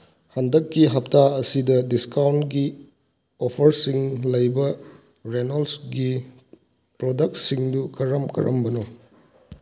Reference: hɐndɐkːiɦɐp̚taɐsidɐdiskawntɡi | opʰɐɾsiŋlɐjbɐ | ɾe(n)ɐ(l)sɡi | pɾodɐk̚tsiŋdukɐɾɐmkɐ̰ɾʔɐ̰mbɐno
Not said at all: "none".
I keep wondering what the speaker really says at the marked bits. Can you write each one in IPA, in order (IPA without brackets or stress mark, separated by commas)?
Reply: n, l